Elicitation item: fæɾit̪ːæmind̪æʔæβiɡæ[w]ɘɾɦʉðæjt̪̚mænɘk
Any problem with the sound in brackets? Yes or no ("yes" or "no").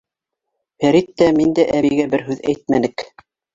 yes